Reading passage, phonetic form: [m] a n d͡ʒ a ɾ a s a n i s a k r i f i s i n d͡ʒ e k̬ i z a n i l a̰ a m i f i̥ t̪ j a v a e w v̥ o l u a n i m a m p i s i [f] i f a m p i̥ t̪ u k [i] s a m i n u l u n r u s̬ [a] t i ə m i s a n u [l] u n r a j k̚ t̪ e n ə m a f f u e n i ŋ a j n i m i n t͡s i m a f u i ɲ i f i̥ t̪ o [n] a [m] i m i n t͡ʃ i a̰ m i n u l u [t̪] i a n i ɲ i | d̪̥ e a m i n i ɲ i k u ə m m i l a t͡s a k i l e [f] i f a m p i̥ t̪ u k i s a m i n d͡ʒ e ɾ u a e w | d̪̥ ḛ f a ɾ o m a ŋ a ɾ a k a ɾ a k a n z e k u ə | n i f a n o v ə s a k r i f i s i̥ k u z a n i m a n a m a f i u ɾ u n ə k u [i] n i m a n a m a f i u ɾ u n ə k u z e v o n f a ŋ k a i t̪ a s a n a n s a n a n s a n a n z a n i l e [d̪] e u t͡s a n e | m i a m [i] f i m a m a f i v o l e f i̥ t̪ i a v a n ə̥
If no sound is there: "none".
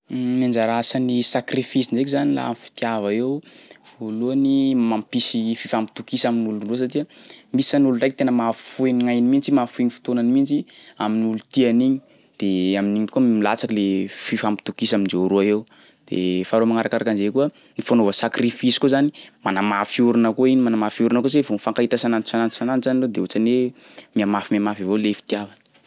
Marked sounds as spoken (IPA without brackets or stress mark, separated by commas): n, f, i, a, l, n, n, t̪, f, i, d̪, a